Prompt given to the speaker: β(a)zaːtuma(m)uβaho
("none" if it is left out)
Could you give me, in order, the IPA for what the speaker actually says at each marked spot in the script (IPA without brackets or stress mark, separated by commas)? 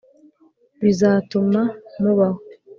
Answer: i, m